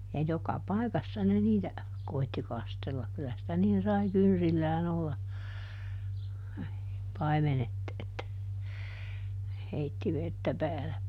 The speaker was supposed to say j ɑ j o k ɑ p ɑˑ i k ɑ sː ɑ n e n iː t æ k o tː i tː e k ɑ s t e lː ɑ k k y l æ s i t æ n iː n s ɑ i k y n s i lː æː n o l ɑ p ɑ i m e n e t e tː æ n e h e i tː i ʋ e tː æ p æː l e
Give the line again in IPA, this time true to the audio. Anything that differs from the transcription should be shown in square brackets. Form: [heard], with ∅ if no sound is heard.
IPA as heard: j ɑ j o k ɑ p ɑˑ i k ɑ sː ɑ n e n iː t æ k o [∅] i tː [i] k ɑ s t e lː ɑ k k y l æ s i t æ n iː n s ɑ i k y n s i lː æː n o [lː] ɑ p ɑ i m e n e t e tː æ n e h e i tː i ʋ e tː æ p æː l e